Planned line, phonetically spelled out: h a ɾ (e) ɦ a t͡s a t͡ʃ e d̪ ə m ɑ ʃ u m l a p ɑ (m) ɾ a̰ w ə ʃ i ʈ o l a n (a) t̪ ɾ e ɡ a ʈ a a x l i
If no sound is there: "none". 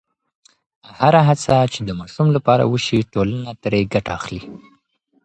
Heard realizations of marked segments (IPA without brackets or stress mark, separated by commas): a, none, a